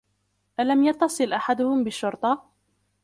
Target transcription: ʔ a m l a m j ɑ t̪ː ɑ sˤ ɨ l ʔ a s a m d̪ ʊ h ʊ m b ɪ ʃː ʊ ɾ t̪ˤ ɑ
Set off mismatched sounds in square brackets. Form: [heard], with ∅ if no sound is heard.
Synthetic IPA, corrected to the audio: ʔ a [∅] l a m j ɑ t̪ː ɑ sˤ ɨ l ʔ a [ħ] a [∅] d̪ ʊ h ʊ m b ɪ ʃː ʊ ɾ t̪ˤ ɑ